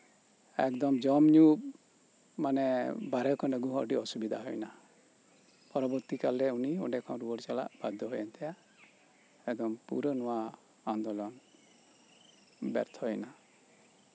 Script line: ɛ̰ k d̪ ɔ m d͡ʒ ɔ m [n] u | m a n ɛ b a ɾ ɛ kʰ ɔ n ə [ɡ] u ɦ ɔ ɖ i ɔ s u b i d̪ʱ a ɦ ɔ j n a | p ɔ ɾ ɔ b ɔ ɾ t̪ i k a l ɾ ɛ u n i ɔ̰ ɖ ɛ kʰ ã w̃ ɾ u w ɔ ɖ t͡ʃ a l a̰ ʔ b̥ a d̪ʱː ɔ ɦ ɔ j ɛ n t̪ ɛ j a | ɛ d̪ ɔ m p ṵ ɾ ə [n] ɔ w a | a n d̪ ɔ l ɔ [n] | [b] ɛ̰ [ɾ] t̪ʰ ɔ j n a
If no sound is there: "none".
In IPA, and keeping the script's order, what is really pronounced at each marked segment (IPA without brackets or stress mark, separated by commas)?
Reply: ɲ, ɡ, n, n, b, ɾ